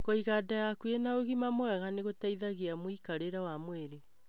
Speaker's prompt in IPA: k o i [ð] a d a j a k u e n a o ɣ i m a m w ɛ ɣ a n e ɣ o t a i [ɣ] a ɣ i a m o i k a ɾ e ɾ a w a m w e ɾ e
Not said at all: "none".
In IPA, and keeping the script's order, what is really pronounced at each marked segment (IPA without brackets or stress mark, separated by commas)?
ɣ, ð